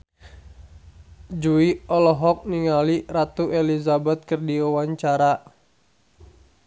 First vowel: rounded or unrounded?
rounded